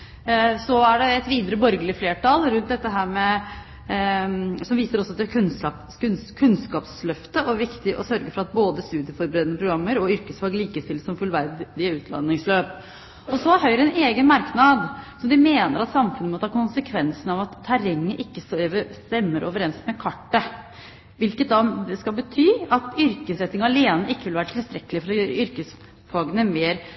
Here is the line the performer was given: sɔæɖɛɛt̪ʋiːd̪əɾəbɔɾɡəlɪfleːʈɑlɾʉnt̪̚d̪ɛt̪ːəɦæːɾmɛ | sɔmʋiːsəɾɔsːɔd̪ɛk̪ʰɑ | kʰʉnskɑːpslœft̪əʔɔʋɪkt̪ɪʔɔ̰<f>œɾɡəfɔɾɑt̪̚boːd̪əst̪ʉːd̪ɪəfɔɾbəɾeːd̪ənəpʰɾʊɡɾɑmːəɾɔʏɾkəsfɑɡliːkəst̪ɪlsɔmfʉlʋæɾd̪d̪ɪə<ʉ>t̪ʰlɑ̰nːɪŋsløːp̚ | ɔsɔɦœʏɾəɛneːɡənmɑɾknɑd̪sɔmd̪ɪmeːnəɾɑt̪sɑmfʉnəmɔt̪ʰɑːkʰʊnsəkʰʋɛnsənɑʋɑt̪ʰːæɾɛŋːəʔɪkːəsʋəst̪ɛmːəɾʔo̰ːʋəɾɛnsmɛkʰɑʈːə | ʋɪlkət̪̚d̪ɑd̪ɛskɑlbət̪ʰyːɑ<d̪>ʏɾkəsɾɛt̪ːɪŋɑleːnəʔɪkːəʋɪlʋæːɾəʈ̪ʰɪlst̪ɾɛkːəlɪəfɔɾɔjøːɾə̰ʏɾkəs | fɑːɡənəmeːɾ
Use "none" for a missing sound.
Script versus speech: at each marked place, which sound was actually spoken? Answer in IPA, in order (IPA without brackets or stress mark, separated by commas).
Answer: s, ʉː, t̪